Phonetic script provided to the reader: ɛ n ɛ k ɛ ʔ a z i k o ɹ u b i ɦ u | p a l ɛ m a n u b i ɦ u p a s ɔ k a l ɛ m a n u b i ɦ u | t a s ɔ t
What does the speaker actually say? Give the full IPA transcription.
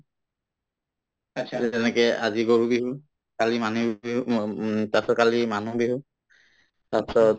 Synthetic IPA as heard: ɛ n ɛ k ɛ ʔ a z i ɡ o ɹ u b i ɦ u | k a l i m a n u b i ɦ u t a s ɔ k a l i m a n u b i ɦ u | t a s ɔ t